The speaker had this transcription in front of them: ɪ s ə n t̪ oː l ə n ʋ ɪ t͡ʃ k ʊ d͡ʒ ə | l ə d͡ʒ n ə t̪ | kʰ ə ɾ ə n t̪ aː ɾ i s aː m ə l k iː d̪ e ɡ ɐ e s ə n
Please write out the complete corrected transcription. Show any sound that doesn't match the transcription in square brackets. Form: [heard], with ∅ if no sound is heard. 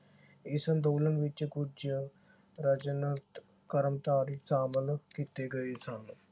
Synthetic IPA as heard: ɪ s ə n [d̪] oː l ə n ʋ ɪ t͡ʃ k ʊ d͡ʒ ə | [ɾ] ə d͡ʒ n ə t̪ | [k] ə ɾ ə [m] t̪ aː ɾ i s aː m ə l k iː [t̪] e ɡ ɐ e s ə n